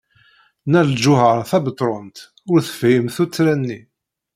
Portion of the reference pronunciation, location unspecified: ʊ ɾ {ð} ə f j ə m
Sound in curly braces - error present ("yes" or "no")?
yes